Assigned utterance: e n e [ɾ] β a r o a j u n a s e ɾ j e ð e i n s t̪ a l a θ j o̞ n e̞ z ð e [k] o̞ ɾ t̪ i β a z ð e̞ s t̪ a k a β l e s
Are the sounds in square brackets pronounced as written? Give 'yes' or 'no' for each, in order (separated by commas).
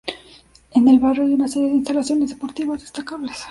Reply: no, no